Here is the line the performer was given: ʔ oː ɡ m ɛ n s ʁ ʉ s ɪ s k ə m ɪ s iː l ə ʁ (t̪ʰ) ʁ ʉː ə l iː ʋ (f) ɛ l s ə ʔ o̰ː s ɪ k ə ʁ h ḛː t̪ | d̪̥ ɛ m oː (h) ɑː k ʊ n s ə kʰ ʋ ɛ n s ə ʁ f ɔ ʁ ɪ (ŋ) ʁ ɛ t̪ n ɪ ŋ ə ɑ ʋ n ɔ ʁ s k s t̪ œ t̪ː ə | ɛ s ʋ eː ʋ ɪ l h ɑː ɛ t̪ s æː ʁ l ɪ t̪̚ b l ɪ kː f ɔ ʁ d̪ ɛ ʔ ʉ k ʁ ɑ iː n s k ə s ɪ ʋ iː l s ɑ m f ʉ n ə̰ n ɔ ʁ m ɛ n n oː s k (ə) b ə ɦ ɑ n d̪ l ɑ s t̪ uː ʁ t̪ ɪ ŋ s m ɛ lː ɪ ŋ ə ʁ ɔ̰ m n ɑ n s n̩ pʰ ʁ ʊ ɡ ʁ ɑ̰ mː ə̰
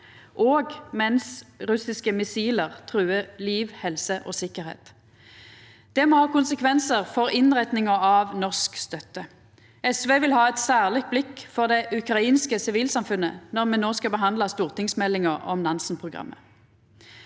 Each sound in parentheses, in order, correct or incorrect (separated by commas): correct, incorrect, correct, incorrect, incorrect